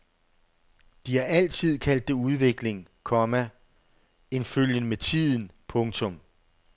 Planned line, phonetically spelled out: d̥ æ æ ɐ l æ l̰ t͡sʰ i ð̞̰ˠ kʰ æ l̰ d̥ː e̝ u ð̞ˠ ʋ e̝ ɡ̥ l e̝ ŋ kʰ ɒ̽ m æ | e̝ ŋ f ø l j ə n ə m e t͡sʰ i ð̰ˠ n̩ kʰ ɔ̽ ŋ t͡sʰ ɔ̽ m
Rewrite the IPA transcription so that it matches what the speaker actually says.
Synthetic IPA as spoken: d̥ i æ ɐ æ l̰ t͡sʰ i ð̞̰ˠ kʰ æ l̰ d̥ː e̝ u ð̞ˠ ʋ e̝ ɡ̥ l e̝ ŋ kʰ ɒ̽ m æ | e̝ n f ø l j ə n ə m e t͡sʰ i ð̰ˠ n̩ pʰ ɔ̽ ŋ t͡sʰ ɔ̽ m